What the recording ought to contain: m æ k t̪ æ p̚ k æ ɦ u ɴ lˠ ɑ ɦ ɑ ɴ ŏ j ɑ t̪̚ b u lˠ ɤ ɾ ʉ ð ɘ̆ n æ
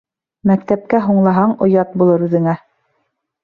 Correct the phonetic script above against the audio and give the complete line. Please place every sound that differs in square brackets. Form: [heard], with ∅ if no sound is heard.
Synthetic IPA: m æ k t̪ æ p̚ k æ ɦ u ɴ lˠ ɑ ɦ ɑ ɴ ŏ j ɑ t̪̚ b u lˠ ɤ ɾ ʉ ð ɘ̆ [ŋ] æ